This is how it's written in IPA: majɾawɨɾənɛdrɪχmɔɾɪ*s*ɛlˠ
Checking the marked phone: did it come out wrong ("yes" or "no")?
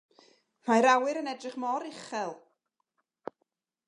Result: yes